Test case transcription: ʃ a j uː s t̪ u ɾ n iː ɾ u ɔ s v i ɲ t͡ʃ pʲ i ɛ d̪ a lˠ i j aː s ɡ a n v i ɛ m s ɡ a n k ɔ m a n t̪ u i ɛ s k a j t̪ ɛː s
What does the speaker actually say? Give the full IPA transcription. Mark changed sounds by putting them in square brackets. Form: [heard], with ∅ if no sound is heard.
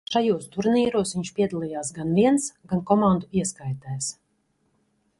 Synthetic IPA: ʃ a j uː s t̪ u ɾ n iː ɾ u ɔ s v i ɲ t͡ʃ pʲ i ɛ d̪ a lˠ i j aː s ɡ a n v i ɛ [n] s ɡ a n k ɔ m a n [d̪] u i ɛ s k a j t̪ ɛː s